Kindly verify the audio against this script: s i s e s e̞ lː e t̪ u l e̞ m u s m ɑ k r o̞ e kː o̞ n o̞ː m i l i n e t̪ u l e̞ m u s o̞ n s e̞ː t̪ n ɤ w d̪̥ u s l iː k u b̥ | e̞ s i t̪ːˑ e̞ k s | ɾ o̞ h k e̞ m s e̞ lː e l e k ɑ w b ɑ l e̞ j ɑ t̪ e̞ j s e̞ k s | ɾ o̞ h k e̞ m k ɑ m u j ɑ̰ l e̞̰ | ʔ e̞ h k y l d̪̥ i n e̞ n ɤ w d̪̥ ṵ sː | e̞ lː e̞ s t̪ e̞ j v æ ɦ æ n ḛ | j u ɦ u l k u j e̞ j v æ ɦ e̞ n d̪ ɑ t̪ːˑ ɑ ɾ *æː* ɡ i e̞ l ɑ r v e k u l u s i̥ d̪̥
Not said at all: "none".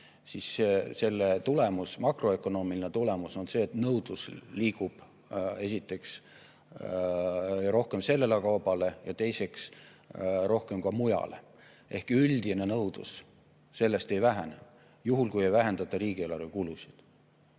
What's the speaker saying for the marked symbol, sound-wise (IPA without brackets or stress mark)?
iː